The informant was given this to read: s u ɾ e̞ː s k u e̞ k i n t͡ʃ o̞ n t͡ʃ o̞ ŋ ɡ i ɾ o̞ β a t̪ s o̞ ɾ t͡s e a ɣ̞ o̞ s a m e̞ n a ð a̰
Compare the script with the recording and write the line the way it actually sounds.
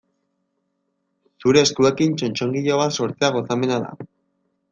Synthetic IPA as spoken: s u ɾ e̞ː s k u e̞ k i n t͡ʃ o̞ n t͡ʃ o̞ ŋ ɡ i ʎ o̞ β a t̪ s o̞ ɾ t͡s e a ɣ̞ o̞ s a m e̞ n a ð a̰